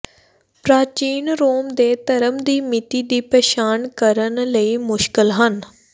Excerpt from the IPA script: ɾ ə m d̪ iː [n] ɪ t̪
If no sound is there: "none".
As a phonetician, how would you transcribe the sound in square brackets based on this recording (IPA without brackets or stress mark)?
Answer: m